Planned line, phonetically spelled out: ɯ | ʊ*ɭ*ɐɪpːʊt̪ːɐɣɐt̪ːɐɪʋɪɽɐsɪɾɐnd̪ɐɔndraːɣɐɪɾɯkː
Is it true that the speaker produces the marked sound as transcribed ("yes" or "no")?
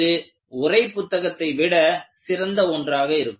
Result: no